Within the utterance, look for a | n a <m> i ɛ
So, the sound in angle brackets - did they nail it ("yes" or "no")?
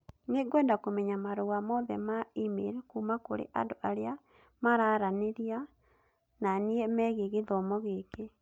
no